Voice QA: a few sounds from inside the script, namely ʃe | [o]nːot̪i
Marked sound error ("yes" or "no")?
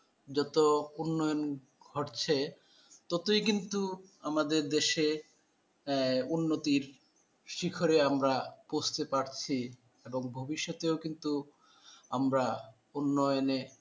yes